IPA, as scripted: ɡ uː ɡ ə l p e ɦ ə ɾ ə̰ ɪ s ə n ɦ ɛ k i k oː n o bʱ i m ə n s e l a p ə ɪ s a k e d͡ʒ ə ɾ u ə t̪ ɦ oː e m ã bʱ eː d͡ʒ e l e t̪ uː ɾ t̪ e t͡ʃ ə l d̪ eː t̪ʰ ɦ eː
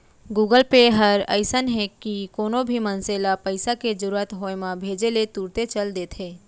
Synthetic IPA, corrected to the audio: ɡ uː ɡ ə l p e ɦ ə ɾ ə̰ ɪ s ə n ɦ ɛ k i k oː n o bʱ i m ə n s e l a p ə ɪ s a k e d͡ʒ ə ɾ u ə t̪ ɦ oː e m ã bʱ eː d͡ʒ e l e t̪ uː ɾ t̪ e t͡ʃ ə l d̪ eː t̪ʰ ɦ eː